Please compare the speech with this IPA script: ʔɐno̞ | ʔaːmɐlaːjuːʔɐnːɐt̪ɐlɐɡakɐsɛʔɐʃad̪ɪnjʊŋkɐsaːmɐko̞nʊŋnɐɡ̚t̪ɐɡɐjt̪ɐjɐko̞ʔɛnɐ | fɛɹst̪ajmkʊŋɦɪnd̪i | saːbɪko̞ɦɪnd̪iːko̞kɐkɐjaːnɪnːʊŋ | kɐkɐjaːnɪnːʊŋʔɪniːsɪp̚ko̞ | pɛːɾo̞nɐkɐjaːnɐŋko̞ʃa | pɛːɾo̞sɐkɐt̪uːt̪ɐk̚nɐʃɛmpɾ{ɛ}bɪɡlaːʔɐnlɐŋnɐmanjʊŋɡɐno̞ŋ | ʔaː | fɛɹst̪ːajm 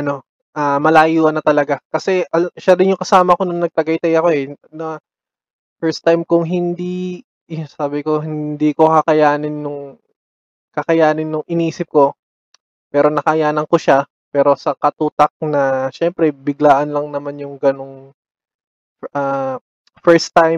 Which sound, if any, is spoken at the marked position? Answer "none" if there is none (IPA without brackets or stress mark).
ɛ